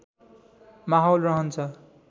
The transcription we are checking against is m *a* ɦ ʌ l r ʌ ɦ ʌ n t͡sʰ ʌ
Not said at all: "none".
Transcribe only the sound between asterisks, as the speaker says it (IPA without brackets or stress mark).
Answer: a